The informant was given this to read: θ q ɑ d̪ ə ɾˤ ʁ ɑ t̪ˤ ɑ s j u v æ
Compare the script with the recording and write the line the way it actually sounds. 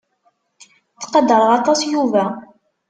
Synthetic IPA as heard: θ q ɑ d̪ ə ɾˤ ʁ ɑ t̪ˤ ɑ s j u v æ

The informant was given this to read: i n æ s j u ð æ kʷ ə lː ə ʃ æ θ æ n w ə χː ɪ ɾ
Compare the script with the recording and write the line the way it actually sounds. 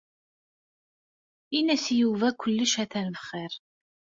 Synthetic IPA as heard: i n æ s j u v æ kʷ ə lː ə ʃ æ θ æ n v ə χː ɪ ɾ

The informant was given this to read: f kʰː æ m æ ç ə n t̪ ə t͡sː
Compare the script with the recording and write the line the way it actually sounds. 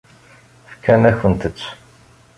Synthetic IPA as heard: f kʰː æ n æ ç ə n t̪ ə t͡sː

